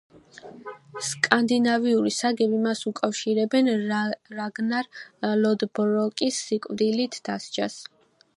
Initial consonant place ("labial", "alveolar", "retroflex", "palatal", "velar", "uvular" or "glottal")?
alveolar